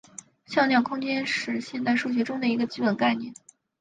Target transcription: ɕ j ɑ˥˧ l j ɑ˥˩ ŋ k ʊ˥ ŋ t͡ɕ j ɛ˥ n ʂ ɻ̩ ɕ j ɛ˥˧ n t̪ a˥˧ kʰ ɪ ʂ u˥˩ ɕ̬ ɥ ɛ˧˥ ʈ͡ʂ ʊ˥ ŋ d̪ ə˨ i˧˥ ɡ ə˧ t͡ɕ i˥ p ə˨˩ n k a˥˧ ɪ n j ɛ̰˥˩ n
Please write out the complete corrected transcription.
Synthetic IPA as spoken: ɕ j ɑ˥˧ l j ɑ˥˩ ŋ kʰ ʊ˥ ŋ t͡ɕ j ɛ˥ n ʂ ɻ̩ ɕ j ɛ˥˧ n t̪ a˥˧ ɪ ʂ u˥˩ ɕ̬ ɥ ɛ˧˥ ʈ͡ʂ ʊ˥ ŋ d̪ ə˨ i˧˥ ɡ ə˧ t͡ɕ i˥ p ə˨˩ n k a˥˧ ɪ n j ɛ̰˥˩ n